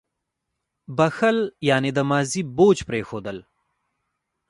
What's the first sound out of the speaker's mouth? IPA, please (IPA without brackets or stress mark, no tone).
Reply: b